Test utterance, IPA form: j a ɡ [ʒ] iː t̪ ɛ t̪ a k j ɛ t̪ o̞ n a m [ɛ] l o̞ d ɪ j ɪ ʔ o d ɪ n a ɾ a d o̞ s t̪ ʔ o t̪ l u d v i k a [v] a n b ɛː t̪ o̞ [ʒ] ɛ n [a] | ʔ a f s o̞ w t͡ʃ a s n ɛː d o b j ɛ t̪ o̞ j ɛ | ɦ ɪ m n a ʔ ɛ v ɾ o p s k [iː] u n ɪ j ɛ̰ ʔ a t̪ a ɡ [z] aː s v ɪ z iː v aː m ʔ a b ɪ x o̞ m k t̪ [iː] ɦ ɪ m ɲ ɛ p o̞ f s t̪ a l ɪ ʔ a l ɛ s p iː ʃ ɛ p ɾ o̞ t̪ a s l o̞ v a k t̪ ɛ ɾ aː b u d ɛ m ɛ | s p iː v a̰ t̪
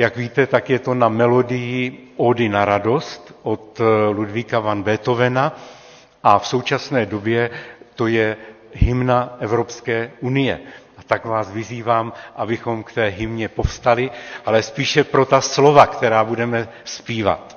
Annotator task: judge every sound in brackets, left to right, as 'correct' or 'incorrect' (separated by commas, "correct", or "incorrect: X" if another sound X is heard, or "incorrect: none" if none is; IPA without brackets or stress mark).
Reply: incorrect: v, correct, correct, incorrect: v, correct, incorrect: ɛː, incorrect: v, incorrect: ɛː